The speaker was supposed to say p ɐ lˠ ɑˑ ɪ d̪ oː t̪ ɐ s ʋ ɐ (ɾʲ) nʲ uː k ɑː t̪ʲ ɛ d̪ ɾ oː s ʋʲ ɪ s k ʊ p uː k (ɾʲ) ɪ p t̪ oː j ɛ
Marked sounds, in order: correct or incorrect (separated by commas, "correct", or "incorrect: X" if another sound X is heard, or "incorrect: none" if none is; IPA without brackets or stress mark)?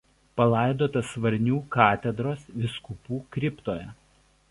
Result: correct, correct